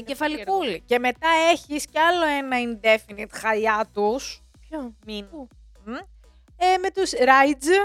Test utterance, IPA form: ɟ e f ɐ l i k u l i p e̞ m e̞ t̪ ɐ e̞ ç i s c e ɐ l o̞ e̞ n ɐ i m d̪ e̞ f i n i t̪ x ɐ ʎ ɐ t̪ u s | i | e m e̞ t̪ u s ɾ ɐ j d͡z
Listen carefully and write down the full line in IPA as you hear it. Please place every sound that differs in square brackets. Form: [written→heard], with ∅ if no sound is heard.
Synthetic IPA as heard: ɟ e f ɐ l i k u l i [p→c] e̞ m e̞ t̪ ɐ e̞ ç i s c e ɐ l o̞ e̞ n ɐ i [m→n] d̪ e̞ f i n i t̪ x ɐ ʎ ɐ t̪ u s | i | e m e̞ t̪ u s ɾ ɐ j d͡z